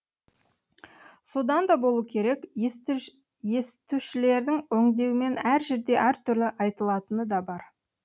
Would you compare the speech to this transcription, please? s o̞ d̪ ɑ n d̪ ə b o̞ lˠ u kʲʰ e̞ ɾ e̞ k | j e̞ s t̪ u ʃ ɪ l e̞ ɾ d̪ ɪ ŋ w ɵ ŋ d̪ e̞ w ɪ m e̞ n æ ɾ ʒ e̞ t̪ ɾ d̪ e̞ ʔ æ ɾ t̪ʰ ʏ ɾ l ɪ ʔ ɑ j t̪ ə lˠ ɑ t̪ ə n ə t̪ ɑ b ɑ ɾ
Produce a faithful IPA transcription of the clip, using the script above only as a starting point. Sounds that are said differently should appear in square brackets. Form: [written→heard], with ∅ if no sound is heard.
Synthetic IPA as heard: s o̞ d̪ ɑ n d̪ [ə→ɑ] b o̞ lˠ u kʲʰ e̞ ɾ e̞ k | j e̞ s t̪ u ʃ ɪ l e̞ ɾ d̪ ɪ ŋ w ɵ ŋ d̪ e̞ w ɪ m e̞ n æ ɾ ʒ e̞ [t̪→∅] ɾ d̪ e̞ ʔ æ ɾ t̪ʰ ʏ ɾ l ɪ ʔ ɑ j t̪ ə lˠ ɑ t̪ ə n ə [t̪→d̪] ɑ b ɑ ɾ

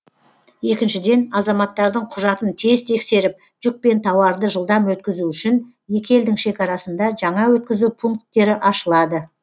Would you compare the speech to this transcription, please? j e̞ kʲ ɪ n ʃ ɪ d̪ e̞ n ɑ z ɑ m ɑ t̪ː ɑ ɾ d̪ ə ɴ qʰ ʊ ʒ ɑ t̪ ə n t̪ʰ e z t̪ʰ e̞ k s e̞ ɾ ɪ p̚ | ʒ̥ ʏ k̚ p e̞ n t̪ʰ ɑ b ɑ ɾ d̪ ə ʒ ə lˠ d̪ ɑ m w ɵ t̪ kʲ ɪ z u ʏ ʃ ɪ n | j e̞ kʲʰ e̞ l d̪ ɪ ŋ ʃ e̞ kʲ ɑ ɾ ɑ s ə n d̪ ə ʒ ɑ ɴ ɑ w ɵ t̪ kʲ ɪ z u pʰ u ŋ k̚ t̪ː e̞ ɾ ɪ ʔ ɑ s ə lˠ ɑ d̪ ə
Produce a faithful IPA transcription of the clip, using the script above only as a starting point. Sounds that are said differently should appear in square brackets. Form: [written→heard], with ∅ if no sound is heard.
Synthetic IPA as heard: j e̞ kʲ ɪ n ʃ ɪ d̪ e̞ n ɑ z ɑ m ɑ t̪ː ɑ ɾ d̪ ə ɴ qʰ ʊ ʒ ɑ t̪ ə n t̪ʰ e z t̪ʰ e̞ k s e̞ ɾ ɪ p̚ | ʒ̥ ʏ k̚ p e̞ n t̪ʰ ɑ [b→w] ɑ ɾ d̪ ə ʒ ə lˠ d̪ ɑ m w ɵ t̪ kʲ ɪ z u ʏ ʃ ɪ n | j e̞ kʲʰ e̞ l d̪ ɪ ŋ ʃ e̞ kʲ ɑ ɾ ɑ s ə n d̪ [ə→ɑ] ʒ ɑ ɴ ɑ w ɵ t̪ kʲ ɪ z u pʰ u ŋ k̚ t̪ː e̞ ɾ ɪ ʔ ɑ [s→ʃ] ə lˠ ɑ d̪ ə

